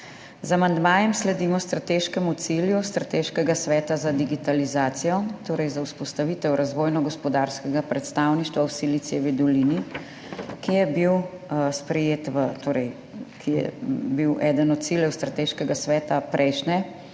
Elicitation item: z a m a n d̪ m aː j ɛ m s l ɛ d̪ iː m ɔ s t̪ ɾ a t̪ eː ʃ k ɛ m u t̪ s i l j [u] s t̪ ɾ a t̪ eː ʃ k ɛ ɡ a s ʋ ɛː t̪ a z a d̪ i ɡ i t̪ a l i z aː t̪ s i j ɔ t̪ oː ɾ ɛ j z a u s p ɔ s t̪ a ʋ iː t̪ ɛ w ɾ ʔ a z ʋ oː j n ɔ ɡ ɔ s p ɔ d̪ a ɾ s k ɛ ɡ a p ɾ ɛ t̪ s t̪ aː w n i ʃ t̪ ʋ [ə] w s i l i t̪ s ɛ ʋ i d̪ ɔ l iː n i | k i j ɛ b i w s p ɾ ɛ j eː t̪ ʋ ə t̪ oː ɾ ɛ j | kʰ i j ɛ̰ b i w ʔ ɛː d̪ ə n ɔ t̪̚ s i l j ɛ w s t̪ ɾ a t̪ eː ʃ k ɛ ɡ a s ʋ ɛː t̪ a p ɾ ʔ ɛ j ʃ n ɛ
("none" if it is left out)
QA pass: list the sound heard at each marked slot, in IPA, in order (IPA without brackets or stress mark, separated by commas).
u, a